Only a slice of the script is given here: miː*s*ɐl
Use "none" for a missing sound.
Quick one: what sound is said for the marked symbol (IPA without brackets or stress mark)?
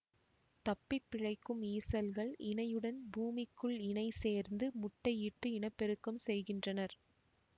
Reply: s